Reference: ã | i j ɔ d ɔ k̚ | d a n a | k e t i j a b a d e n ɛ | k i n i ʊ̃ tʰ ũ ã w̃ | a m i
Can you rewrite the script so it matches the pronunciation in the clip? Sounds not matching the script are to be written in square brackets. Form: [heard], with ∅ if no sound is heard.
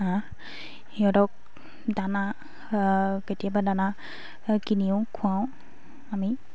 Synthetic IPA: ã | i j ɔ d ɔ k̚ | d a n a | k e t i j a b a d [a] n [a] | k i n i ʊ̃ [kʰ] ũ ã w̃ | a m i